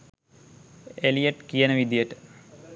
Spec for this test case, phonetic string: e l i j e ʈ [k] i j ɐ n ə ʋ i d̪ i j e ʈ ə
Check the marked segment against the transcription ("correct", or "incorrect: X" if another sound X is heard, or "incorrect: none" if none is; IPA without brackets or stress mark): correct